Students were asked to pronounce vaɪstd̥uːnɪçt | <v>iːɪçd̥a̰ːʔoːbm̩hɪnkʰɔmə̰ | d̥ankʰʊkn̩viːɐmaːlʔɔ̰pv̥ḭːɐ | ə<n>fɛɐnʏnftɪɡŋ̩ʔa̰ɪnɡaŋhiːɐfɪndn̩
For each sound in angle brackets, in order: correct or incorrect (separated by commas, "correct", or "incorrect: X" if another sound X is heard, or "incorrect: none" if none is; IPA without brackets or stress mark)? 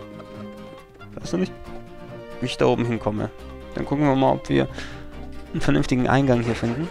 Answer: correct, correct